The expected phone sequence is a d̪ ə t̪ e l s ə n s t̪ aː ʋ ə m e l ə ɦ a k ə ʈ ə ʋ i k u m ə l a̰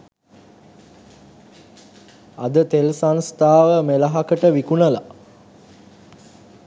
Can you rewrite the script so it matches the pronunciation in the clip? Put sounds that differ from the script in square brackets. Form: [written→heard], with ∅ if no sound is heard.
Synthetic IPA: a d̪ ə t̪ e l s [ə→a] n s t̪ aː ʋ ə m e l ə ɦ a k ə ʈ ə ʋ i k u [m→n] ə l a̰